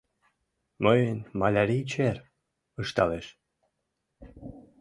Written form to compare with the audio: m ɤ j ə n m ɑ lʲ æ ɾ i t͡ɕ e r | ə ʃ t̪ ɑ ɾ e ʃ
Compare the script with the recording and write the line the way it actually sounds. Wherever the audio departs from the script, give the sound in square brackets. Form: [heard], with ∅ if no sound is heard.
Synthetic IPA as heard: m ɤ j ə n m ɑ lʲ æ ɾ i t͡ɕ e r | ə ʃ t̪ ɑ [l] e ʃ